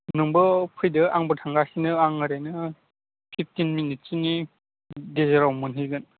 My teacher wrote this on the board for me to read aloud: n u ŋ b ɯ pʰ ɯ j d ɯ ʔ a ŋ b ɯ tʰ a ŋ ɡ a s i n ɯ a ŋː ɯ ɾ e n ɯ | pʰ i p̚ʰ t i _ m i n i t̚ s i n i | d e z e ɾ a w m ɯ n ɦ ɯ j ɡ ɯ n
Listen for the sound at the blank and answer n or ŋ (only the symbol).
n